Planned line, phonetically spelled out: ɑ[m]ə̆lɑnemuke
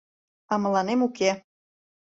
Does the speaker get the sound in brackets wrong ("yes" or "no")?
no